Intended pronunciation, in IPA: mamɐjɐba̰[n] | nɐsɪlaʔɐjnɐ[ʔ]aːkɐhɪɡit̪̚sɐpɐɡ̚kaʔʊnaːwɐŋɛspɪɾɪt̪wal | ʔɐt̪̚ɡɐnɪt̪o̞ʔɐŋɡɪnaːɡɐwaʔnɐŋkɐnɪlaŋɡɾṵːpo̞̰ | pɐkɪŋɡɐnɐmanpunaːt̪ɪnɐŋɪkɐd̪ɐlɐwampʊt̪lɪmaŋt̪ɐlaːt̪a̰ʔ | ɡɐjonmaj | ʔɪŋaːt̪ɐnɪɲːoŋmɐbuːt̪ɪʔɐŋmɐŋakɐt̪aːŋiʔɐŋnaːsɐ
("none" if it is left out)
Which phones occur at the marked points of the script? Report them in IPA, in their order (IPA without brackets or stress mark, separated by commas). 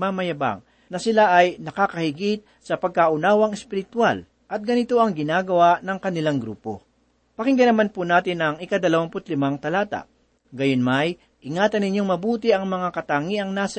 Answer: ŋ, k